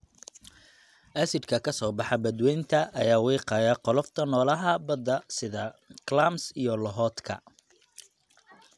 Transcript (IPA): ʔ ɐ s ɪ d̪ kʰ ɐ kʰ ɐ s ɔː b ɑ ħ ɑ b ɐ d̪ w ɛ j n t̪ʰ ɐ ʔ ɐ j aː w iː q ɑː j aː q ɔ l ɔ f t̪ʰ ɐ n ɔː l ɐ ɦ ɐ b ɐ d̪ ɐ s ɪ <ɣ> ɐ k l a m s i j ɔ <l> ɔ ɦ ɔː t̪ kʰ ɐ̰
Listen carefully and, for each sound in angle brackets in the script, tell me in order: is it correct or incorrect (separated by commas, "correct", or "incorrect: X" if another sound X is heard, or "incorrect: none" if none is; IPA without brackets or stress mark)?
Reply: incorrect: ð, correct